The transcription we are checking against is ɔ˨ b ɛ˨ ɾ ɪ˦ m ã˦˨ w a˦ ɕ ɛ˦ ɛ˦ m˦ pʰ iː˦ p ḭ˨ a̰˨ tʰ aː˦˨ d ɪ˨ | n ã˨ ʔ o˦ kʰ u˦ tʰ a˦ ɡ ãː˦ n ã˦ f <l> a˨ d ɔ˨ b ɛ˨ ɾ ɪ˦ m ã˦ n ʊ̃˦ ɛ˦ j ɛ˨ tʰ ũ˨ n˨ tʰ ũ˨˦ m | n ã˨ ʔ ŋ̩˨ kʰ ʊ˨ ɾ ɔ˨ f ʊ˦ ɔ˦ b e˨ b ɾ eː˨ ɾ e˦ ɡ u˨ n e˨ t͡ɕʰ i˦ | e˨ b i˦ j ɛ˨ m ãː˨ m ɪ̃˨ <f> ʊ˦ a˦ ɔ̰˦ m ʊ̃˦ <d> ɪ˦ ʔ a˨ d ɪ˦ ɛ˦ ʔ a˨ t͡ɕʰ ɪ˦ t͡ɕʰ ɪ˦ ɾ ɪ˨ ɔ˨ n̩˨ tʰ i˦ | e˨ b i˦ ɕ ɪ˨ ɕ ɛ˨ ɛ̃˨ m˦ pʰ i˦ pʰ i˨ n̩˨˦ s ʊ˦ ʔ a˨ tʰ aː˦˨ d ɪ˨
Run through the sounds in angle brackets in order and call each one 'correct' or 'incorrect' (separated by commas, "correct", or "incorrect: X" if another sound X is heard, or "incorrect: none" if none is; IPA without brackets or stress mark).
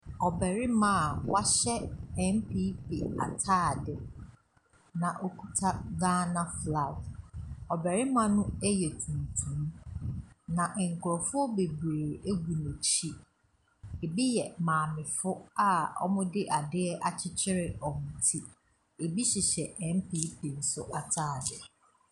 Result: correct, correct, correct